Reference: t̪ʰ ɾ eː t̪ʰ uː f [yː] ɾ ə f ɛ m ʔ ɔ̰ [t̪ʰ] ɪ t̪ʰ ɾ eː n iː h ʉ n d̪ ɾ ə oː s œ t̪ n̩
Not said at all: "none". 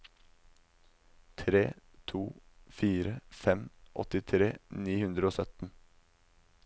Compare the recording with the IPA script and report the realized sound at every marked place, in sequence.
iː, t̪

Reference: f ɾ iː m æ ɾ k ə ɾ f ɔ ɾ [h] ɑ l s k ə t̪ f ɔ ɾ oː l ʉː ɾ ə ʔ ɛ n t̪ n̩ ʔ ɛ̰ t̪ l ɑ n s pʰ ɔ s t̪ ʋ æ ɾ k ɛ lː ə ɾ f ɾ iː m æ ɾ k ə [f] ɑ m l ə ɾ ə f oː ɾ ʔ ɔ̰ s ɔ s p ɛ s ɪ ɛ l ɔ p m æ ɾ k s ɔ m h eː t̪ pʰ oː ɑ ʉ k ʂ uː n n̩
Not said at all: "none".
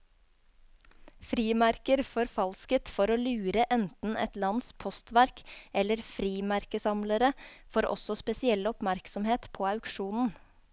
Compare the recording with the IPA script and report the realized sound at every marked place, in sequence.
f, s

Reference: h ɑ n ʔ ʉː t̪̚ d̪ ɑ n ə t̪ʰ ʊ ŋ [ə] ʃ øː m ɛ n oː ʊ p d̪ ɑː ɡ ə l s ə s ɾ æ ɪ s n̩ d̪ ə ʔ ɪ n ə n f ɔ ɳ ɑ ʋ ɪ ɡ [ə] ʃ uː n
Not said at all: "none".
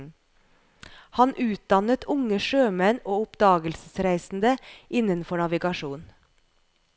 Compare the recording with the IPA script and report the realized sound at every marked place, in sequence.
ə, ɑ

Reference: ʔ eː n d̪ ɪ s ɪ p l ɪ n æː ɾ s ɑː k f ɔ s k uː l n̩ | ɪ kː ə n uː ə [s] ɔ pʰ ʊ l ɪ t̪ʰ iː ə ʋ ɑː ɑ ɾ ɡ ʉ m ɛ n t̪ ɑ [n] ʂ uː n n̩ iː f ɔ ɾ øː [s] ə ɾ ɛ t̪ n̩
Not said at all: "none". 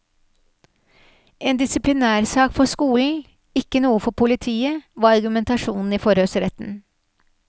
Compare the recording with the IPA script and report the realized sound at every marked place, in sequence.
f, none, s

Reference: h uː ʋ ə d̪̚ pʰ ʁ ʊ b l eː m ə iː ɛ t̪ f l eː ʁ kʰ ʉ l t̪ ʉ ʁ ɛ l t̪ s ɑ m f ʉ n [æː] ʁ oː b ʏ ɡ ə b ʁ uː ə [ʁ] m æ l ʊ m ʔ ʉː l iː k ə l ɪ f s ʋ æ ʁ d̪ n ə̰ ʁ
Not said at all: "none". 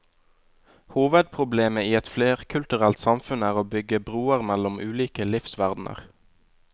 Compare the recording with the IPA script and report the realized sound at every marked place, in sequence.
æː, ʁ

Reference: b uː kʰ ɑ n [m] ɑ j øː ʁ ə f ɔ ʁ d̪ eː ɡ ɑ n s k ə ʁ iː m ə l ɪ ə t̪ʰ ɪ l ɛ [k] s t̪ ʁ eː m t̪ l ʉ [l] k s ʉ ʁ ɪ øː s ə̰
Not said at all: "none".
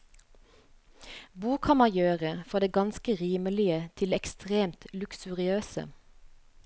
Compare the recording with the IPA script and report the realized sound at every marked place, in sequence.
m, k, none

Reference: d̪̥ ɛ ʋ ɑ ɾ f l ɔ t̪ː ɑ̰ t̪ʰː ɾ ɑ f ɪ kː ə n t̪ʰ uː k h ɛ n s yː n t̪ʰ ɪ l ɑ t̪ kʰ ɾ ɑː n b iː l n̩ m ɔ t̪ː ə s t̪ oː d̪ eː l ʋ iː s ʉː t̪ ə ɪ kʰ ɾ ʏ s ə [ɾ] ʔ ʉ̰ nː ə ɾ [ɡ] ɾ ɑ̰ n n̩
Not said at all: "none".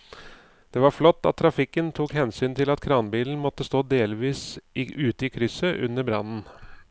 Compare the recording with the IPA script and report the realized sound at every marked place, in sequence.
none, b

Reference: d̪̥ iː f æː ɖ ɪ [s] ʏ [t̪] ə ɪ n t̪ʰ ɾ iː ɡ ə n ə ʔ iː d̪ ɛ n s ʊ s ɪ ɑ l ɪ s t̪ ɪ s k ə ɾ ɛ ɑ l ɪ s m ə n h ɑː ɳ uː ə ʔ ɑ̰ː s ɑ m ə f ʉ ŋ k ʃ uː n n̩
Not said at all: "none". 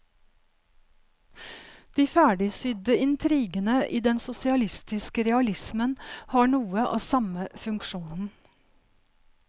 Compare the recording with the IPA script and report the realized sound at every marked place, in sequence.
s, d̪

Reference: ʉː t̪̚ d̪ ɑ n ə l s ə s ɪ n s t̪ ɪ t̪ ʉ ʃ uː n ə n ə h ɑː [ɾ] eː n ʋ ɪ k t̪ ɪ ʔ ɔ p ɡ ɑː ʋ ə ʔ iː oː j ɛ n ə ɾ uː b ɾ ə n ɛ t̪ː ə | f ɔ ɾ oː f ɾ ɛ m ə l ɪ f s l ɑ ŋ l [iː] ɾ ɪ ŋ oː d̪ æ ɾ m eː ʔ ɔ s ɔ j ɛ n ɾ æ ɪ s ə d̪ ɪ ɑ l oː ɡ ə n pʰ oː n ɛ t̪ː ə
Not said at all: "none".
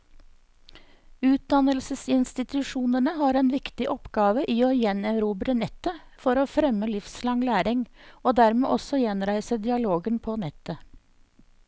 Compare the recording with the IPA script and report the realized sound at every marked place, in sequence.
ɾ, æː

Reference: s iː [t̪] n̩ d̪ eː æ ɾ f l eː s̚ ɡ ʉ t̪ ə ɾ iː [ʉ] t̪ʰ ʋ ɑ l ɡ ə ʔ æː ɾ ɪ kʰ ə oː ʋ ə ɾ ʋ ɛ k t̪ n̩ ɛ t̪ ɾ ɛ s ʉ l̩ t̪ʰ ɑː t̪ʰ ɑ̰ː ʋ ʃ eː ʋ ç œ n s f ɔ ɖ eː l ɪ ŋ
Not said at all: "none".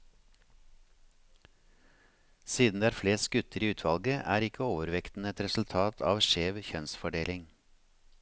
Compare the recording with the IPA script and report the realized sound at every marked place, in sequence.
d̪, ʉː

